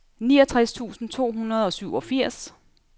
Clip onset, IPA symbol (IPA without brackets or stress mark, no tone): n